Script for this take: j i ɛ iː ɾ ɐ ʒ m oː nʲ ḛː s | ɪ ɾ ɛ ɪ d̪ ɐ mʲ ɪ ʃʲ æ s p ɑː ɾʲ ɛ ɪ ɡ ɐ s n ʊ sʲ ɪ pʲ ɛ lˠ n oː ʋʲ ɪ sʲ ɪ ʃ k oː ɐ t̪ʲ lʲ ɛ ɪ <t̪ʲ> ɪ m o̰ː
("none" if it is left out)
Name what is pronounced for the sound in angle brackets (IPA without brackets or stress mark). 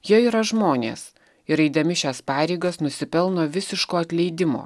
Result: d̪ʲ